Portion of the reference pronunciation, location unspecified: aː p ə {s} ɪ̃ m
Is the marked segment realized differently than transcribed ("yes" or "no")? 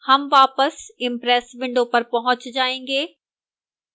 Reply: no